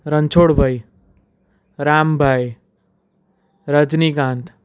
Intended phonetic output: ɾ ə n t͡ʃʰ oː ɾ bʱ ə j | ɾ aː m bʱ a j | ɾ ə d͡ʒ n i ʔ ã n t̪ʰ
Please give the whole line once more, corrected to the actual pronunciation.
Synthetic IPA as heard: ɾ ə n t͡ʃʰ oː ɽ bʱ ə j | ɾ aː m bʱ a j | ɾ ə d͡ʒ n i k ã n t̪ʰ